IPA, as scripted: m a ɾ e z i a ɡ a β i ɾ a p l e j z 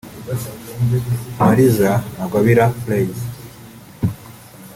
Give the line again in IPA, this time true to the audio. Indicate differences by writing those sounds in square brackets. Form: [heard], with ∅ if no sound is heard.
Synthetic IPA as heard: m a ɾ [i] z [a] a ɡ a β i ɾ a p l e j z